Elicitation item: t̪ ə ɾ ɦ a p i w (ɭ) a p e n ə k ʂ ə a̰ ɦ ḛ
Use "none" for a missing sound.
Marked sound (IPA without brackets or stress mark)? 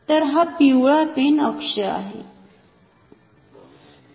ɭ